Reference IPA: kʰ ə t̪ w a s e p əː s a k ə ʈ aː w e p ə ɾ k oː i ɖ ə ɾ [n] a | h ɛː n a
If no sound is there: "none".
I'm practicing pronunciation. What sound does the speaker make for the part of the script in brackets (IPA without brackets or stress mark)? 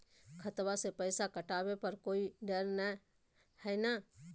n